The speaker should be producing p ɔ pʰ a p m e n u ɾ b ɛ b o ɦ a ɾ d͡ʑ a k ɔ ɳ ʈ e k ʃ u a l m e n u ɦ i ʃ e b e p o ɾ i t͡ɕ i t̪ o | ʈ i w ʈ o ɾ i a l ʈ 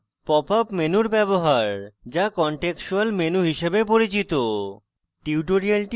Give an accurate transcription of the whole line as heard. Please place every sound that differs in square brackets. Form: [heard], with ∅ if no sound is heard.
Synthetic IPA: p ɔ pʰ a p m e n u ɾ b ɛ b o ɦ a ɾ d͡ʑ a k ɔ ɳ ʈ e k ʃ u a l m e n u ɦ i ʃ e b e p o ɾ i t͡ɕ i t̪ o | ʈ i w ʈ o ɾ i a l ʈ